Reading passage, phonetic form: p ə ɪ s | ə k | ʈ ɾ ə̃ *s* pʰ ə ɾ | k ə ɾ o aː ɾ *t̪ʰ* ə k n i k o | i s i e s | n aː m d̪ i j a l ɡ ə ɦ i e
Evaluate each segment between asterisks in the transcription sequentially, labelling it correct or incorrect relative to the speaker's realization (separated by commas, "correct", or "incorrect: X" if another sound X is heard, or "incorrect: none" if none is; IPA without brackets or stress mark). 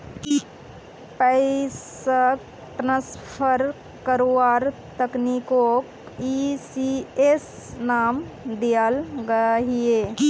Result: correct, incorrect: t̪